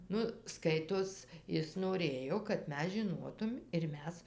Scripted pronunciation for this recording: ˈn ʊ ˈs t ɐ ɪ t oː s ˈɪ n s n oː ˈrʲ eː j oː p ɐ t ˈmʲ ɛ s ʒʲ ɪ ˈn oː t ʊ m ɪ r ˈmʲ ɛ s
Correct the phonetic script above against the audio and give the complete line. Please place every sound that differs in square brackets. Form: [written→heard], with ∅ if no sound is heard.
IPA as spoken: ˈn ʊ ˈs [t→k] ɐ ɪ t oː s ˈɪ [n→∅] s n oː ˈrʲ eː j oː [p→k] ɐ t ˈmʲ ɛ s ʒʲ ɪ ˈn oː t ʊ m ɪ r ˈmʲ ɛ s